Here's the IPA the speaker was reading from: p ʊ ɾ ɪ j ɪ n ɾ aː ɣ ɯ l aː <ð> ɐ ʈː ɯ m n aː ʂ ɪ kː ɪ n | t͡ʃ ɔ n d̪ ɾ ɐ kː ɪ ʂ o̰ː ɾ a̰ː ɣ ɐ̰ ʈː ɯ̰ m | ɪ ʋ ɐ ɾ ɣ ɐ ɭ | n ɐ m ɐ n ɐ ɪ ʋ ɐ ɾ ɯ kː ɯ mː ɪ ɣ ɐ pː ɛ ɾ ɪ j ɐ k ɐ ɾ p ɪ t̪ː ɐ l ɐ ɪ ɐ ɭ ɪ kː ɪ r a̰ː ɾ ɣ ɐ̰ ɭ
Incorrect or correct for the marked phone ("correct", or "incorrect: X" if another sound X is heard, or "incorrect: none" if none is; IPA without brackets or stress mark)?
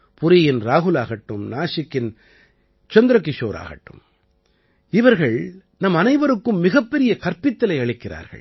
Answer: incorrect: ɣ